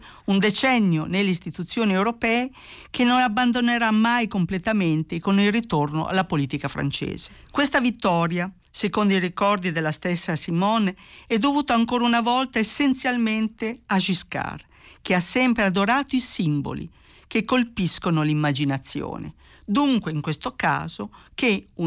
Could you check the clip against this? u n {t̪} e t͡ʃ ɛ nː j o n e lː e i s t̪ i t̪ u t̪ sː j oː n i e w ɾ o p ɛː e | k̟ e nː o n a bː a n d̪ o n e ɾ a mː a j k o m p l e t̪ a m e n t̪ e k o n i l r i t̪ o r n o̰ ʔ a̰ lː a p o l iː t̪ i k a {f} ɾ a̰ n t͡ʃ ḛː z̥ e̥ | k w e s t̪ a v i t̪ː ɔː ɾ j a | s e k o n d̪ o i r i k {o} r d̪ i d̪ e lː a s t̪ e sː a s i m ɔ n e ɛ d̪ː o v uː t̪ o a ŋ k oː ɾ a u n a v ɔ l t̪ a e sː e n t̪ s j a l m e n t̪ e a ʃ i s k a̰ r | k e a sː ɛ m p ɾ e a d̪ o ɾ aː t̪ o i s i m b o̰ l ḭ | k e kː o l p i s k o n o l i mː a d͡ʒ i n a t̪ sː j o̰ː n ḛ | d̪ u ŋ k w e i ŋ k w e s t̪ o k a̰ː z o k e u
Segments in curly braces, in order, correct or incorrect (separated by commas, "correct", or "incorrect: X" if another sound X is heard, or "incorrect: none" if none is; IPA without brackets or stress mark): incorrect: d̪, correct, incorrect: ɔ